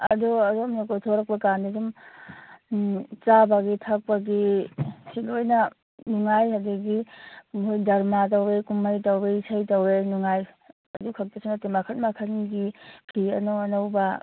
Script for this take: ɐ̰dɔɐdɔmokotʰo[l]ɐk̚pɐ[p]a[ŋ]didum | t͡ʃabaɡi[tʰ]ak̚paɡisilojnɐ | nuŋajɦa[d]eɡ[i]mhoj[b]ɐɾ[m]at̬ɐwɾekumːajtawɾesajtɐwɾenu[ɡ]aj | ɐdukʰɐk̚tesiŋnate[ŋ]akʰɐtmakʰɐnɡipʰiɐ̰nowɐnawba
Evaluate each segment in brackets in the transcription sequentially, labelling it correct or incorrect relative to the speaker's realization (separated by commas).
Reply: incorrect, incorrect, incorrect, correct, correct, correct, incorrect, correct, incorrect, incorrect